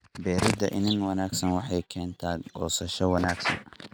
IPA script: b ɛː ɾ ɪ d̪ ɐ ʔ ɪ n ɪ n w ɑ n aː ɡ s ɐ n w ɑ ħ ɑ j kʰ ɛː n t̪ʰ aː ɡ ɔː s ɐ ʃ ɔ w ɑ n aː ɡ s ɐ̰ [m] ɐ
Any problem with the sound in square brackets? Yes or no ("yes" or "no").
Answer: yes